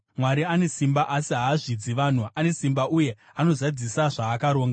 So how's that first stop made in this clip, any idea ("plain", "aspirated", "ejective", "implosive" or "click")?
plain